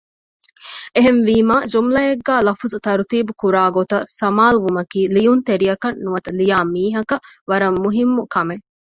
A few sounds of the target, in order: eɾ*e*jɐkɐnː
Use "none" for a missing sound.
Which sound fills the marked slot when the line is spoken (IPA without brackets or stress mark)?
i